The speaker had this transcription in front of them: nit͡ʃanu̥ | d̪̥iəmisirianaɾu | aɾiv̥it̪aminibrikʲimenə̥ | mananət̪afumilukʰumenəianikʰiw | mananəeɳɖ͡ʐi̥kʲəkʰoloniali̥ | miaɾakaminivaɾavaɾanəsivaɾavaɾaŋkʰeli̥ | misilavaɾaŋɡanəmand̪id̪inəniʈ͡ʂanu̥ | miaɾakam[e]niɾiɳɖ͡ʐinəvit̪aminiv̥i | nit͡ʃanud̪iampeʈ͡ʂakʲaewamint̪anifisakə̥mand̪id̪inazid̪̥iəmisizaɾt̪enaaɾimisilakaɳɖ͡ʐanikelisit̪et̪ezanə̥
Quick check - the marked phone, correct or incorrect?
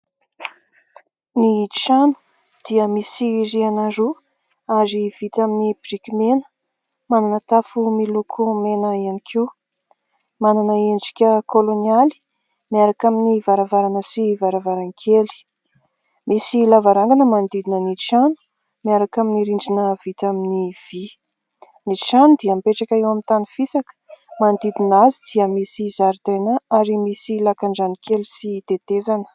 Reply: incorrect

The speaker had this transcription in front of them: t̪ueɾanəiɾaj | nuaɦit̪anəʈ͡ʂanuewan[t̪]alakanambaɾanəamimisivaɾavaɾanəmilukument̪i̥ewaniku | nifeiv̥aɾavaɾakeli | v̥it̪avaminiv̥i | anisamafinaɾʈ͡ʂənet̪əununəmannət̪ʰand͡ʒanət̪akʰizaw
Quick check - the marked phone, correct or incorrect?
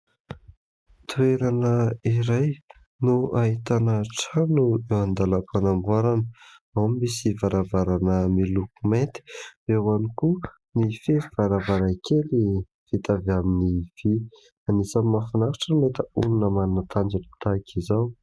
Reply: incorrect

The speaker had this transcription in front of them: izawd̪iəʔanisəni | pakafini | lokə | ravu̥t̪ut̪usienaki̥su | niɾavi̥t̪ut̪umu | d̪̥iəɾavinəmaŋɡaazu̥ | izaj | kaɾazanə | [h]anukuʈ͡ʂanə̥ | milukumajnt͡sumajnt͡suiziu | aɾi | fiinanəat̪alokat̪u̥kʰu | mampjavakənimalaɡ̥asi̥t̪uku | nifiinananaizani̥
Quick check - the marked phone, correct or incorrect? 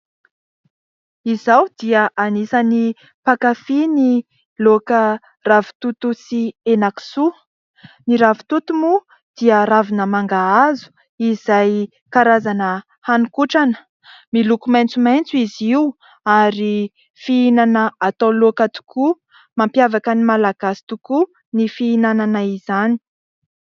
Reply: correct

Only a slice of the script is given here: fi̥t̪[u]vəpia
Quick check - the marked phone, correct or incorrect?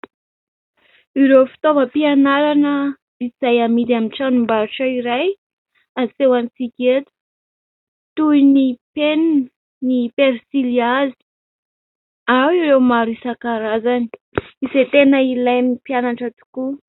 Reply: incorrect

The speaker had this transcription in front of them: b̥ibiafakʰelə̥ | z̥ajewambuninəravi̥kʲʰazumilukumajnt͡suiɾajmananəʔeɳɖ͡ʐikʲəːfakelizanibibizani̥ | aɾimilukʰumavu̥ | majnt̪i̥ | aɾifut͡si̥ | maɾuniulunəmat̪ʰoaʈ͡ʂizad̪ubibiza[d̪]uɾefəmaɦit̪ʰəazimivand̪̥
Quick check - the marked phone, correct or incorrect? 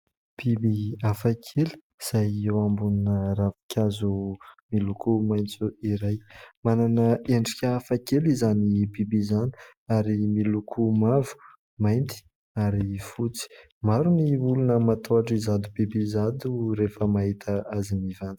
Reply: correct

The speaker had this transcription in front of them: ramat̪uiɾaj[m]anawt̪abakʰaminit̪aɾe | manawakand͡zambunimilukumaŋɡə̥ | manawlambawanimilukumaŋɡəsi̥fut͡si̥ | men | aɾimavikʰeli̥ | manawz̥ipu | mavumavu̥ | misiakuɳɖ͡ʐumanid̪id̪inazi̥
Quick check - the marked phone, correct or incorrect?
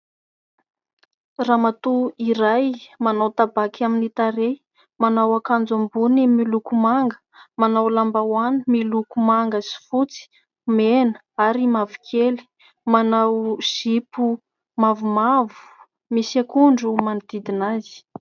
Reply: correct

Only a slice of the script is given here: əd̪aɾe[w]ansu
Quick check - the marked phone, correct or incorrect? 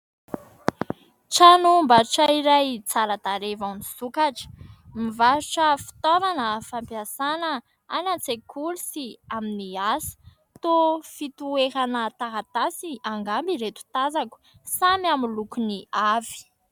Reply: incorrect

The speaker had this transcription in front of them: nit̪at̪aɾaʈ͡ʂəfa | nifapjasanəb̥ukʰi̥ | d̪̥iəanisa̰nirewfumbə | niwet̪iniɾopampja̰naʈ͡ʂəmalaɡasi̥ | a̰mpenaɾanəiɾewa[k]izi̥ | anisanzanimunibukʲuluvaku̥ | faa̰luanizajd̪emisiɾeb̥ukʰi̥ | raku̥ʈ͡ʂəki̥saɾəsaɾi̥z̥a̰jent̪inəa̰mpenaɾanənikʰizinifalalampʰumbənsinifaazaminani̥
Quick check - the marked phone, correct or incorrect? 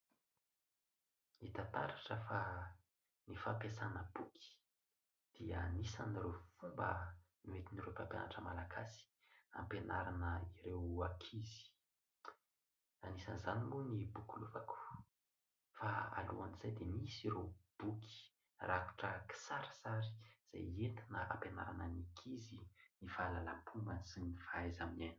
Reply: incorrect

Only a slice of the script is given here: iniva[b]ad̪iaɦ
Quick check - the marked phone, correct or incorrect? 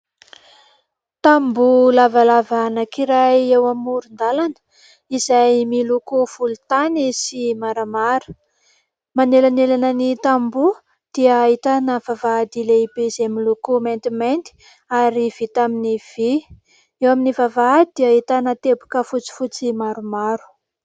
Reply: incorrect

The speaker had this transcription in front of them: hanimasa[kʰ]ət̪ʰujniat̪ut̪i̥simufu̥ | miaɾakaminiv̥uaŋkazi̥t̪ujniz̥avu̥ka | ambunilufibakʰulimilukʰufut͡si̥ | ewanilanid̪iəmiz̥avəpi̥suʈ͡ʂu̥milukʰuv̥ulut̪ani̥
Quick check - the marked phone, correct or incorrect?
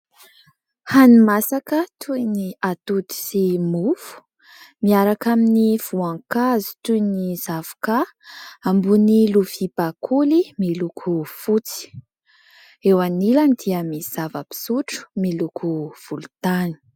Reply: incorrect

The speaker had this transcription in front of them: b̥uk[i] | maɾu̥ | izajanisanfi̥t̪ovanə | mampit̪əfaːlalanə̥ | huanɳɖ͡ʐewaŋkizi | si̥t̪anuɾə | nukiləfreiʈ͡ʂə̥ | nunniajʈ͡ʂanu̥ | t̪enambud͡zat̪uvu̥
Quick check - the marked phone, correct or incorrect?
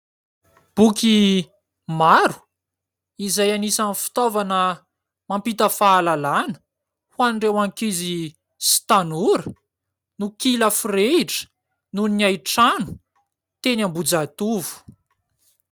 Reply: correct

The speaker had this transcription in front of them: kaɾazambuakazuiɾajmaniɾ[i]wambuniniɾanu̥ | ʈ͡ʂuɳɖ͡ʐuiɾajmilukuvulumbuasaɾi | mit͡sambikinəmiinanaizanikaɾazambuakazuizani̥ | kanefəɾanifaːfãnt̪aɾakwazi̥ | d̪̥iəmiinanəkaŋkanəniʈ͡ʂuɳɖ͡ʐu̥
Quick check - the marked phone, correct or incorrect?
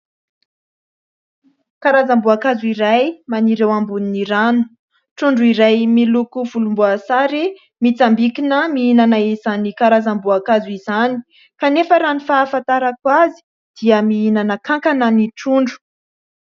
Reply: incorrect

